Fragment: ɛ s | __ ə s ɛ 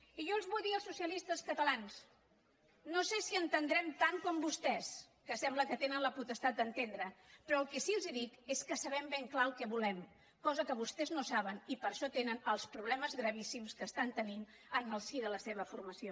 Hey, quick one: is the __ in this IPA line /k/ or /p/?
k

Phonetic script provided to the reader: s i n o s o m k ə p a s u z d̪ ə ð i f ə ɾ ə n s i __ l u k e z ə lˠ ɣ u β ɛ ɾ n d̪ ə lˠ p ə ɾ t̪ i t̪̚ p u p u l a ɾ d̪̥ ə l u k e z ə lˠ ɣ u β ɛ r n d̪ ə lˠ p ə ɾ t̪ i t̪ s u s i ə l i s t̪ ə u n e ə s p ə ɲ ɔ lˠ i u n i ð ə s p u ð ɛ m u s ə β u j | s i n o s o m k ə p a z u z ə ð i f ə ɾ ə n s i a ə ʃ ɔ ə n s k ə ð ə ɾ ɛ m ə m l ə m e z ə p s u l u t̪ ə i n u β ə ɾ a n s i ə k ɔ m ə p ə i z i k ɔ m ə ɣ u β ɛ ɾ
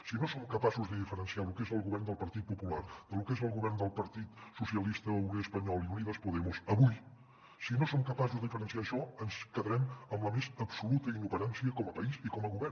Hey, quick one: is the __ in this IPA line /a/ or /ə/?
a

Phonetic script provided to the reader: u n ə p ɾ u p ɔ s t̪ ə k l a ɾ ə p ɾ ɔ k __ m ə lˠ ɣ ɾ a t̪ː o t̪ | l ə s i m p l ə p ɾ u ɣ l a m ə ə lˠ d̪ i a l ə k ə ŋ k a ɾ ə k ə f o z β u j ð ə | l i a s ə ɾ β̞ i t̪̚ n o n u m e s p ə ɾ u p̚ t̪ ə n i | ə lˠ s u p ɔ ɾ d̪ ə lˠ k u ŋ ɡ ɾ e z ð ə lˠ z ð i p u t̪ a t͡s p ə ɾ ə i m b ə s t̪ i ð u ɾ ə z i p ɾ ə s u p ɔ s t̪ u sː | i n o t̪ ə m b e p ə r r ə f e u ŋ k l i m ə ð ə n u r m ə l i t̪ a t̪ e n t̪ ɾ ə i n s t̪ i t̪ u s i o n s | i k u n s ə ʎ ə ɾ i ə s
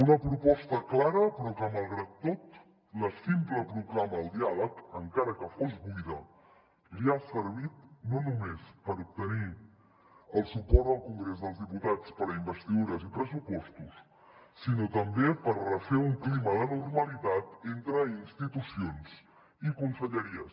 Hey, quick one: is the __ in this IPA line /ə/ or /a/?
ə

